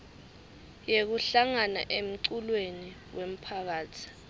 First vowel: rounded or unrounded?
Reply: unrounded